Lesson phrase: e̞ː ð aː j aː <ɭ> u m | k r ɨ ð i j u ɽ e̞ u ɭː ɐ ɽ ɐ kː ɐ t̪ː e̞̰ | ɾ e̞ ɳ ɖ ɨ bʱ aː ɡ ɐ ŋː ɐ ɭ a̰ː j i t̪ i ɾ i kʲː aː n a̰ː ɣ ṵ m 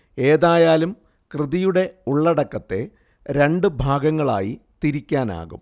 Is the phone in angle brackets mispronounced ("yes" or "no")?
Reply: yes